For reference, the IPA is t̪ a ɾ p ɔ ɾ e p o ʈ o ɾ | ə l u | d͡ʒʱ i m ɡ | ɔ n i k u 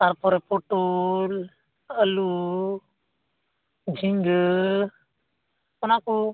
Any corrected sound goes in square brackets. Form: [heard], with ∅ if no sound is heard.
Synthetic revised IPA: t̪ a ɾ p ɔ ɾ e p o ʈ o [l] | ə l u | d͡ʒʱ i [ŋ] ɡ | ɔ n [a] k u